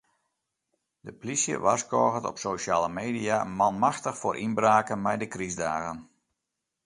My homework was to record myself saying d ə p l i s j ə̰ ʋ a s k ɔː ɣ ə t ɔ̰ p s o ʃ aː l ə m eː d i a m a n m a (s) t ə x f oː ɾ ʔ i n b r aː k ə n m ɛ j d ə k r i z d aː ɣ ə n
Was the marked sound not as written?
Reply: yes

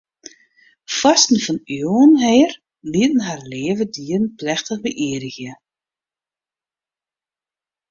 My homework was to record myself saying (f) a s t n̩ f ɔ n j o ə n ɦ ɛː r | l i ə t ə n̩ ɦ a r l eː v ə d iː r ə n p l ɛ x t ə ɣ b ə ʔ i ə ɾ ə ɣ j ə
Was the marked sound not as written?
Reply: no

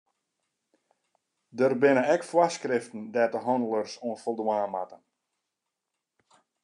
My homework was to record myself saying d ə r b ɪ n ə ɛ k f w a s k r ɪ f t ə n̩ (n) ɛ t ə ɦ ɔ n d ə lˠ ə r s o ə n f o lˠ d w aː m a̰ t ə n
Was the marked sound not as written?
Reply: yes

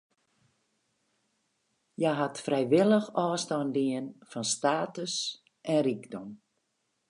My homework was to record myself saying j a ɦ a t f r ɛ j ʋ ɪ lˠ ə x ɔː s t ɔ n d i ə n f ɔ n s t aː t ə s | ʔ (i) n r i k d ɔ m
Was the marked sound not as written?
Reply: yes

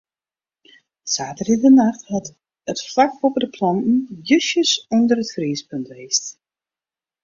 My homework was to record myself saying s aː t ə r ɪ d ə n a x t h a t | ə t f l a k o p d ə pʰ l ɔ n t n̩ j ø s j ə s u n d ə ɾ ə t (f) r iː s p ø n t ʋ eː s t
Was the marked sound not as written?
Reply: no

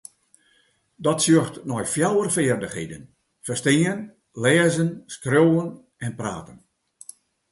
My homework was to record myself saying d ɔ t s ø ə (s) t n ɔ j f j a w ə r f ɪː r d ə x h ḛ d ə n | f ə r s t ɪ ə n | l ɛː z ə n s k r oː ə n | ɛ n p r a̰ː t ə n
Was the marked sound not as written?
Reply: yes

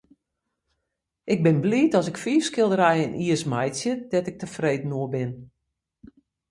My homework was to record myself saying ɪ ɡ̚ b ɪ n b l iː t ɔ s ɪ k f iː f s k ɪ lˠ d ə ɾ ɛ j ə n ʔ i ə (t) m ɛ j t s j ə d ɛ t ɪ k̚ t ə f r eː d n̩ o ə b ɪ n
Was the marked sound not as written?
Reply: yes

